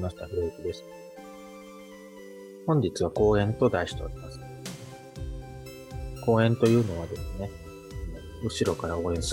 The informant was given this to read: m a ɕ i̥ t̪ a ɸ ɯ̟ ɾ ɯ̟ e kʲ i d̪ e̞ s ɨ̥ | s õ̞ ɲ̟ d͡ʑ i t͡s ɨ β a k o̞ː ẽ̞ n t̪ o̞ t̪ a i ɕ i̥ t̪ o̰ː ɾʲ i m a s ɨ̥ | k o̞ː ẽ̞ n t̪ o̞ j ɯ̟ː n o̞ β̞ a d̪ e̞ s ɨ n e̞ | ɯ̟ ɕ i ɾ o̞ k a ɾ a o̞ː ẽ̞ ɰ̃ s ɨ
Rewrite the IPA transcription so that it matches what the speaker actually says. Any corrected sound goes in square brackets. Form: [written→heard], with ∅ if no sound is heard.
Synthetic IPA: m a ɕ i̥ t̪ a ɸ ɯ̟ ɾ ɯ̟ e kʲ i d̪ e̞ s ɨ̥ | [s→h] õ̞ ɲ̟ d͡ʑ i t͡s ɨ β a k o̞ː ẽ̞ n t̪ o̞ [t̪→d̪] a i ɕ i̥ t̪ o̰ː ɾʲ i m a s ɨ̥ | k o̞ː ẽ̞ n t̪ o̞ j ɯ̟ː n o̞ β̞ a d̪ e̞ s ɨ n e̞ | ɯ̟ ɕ i ɾ o̞ k a ɾ a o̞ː ẽ̞ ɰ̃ s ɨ